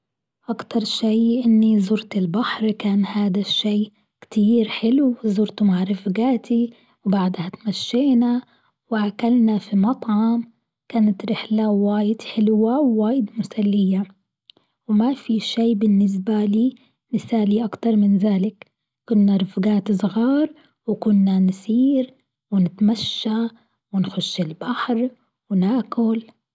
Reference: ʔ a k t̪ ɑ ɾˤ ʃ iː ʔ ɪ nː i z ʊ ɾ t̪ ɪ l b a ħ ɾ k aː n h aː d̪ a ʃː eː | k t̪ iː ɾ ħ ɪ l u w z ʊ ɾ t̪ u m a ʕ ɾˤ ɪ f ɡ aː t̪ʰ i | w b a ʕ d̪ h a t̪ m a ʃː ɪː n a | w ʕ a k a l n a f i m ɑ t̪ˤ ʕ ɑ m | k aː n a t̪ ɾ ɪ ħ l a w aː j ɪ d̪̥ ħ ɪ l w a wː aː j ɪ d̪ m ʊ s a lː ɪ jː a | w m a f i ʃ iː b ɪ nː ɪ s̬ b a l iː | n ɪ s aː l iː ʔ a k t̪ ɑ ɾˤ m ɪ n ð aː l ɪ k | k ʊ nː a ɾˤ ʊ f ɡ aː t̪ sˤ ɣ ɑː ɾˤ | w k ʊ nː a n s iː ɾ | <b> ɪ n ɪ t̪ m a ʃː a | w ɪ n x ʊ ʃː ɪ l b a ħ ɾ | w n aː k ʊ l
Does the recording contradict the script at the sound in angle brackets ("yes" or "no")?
yes